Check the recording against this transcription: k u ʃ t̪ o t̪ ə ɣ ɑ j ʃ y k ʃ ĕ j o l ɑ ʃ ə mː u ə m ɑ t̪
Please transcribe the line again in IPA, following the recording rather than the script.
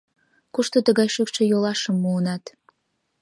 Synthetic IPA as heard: k u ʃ t̪ o t̪ ə ɣ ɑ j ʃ y k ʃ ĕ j o l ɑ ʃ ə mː u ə n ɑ t̪